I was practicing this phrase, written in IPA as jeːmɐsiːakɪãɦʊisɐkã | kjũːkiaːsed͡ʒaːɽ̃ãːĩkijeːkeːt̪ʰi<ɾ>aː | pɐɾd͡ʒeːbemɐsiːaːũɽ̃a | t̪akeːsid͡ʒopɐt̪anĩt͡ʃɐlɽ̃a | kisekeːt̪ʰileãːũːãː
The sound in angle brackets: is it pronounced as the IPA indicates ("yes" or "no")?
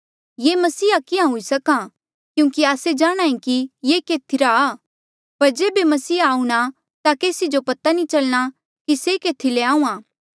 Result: yes